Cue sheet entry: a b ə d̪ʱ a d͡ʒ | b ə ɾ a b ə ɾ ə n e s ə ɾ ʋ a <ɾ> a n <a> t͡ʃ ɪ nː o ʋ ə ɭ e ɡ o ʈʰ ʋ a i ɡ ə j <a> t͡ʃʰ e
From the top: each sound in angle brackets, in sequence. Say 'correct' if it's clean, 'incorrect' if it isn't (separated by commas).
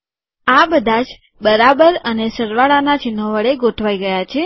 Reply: incorrect, correct, correct